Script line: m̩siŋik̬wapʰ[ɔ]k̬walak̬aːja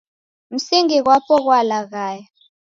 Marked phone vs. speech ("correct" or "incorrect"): correct